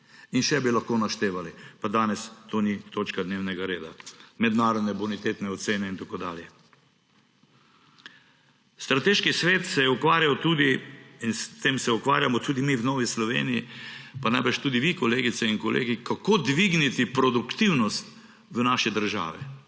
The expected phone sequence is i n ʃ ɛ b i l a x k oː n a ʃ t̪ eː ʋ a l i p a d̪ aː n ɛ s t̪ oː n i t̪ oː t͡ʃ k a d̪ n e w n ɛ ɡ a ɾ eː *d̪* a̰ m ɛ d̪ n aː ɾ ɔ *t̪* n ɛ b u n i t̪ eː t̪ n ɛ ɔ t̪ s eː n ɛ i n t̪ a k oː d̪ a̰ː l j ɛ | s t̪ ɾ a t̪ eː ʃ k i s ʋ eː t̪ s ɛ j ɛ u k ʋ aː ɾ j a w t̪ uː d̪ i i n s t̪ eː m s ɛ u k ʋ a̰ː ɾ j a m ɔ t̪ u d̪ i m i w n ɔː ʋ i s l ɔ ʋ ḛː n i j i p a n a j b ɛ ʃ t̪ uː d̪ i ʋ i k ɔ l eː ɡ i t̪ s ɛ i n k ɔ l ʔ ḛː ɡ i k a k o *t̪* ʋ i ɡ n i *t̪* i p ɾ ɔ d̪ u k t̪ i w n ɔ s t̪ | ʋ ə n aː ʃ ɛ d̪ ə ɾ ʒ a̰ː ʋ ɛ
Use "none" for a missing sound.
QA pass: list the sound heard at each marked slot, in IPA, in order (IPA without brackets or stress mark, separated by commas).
d̪, d̪, d̪, t̪